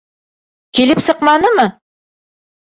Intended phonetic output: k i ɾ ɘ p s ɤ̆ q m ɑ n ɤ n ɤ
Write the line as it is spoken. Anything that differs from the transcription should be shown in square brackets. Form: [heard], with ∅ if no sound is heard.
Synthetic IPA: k i [l] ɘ p s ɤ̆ q m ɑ n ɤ [m] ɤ